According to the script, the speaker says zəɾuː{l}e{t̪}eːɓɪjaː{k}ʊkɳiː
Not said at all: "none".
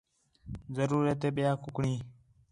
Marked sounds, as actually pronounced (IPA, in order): ɾ, t̪, k

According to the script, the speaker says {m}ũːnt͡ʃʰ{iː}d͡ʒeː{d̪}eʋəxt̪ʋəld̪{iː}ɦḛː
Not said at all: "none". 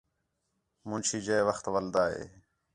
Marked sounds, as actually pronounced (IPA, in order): m, iː, none, aː

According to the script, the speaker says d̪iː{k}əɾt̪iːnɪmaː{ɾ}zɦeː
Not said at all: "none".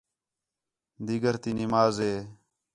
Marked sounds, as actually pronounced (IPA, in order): ɡ, none

